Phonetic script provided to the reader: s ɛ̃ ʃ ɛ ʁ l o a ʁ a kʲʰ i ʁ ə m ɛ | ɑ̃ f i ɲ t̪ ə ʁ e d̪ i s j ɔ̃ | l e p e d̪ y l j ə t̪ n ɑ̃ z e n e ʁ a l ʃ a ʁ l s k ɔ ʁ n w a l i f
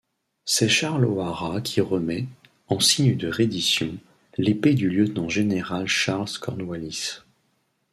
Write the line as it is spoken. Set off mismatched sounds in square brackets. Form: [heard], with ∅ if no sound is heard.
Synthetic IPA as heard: s [ɛ] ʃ [a] ʁ l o a ʁ a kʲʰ i ʁ ə m ɛ | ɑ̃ [s] i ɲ [d̪] ə ʁ e d̪ i s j ɔ̃ | l e p e d̪ y l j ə t̪ n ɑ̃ [ʒ] e n e ʁ a l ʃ a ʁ l s k ɔ ʁ n w a l i [s]